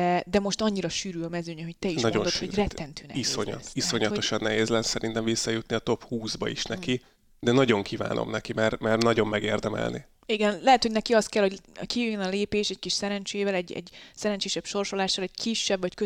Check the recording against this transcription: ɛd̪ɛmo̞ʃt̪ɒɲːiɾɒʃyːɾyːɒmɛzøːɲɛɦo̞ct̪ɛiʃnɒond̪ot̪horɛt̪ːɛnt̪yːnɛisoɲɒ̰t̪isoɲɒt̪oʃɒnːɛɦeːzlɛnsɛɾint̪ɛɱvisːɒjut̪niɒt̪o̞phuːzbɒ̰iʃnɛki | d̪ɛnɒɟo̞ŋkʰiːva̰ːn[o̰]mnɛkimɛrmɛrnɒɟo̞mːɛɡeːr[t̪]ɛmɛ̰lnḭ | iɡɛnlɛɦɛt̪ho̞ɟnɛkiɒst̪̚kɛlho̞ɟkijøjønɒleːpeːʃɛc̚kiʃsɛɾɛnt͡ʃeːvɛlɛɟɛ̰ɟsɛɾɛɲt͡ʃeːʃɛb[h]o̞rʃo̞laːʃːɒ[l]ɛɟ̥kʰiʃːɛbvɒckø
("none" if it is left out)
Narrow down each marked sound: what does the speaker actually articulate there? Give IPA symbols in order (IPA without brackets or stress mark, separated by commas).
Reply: o̰, d̪, ʃ, l